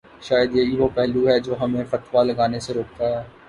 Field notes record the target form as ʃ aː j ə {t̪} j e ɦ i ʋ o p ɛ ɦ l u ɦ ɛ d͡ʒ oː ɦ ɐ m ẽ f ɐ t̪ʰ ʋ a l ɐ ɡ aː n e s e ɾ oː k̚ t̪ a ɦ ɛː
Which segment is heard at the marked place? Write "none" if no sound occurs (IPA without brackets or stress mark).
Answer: d̪